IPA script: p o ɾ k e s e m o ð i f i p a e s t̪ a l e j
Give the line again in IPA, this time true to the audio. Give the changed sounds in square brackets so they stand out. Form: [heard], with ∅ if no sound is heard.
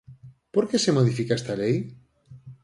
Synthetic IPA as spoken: p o ɾ k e s e m o ð i f i [k] a e s t̪ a l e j